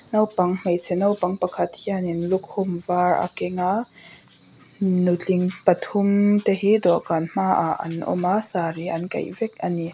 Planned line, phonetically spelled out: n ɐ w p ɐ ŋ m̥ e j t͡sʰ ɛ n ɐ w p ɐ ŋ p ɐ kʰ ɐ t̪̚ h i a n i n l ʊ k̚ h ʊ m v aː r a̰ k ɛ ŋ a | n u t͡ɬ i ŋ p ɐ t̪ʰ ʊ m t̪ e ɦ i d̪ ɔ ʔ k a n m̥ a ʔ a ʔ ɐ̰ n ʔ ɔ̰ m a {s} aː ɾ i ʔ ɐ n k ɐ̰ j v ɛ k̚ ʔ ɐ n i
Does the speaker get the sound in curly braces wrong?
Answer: no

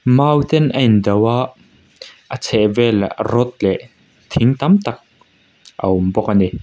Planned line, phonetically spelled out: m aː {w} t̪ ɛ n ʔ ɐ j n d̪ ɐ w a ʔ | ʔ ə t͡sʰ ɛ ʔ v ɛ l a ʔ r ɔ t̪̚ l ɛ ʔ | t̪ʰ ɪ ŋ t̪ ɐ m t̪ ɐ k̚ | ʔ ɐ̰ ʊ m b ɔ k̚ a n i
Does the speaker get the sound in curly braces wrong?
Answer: no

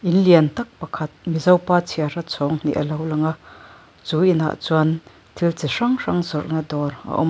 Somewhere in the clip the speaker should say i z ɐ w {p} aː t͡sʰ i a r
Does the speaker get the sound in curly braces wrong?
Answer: no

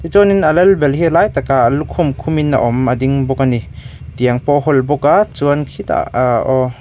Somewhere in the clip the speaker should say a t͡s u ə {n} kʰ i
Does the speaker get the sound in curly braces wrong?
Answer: no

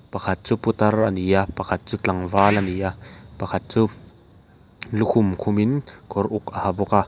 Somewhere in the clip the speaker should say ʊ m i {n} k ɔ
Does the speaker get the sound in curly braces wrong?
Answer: no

